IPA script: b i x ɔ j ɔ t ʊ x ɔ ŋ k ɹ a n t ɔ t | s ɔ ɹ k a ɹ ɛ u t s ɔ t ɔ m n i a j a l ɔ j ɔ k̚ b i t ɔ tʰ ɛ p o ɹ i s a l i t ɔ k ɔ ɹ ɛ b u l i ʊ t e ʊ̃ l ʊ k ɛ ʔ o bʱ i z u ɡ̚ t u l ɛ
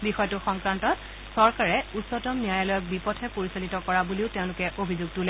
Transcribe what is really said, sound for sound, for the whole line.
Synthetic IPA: b i x ɔ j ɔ t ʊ x ɔ ŋ k ɹ a n t ɔ t | s ɔ ɹ k a ɹ ɛ u t s ɔ t ɔ m n i a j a l ɔ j ɔ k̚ b i p ɔ tʰ ɛ p o ɹ i s a l i t ɔ k ɔ ɹ a b u l i ʊ t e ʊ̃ l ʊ k ɛ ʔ o bʱ i z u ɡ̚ t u l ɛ